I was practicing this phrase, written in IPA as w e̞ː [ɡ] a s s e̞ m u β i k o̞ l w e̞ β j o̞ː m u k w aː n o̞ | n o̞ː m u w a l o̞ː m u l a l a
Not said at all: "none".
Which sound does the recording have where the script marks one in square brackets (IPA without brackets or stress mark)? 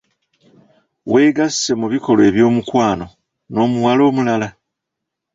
ɡ